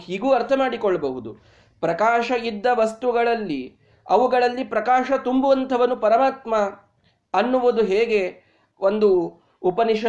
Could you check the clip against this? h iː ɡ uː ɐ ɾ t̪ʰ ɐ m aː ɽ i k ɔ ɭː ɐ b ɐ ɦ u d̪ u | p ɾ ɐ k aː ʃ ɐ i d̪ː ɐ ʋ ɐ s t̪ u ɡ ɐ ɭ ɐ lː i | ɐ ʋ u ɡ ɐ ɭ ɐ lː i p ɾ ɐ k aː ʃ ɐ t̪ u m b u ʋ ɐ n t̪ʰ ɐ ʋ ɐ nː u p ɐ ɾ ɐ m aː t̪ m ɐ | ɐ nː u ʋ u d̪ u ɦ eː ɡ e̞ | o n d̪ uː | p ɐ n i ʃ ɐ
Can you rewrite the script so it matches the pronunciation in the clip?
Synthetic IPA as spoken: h iː ɡ uː ɐ ɾ t̪ʰ ɐ m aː ɽ i k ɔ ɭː ɐ b ɐ ɦ u d̪ u | p ɾ ɐ k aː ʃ ɐ i d̪ː ɐ ʋ ɐ s t̪ u ɡ ɐ ɭ ɐ lː i | ɐ ʋ u ɡ ɐ ɭ ɐ lː i p ɾ ɐ k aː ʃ ɐ t̪ u m b u ʋ ɐ n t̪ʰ ɐ ʋ ɐ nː u p ɐ ɾ ɐ m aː t̪ m ɐ | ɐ nː u ʋ u d̪ u ɦ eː ɡ e̞ | o n d̪ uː | p ɐ n i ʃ ɐ